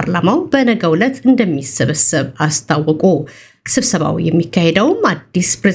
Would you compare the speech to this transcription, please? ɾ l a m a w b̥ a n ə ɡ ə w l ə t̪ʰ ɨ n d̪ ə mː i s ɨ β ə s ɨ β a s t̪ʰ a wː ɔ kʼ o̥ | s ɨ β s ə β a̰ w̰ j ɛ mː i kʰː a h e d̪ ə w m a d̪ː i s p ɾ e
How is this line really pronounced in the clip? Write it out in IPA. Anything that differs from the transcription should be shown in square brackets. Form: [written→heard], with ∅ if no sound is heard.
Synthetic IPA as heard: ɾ l a m a w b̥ [a→ə] n ə ɡ ə w l ə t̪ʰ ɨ n d̪ ə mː i s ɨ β ə s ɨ β a s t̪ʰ a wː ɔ kʼ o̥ | s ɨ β s ə β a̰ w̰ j ɛ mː i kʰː a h e d̪ ə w m a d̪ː i s p ɾ e